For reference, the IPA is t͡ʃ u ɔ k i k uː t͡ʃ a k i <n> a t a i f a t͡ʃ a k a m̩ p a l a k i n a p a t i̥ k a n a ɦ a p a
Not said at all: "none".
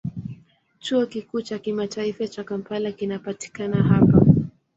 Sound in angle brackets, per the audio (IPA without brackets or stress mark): m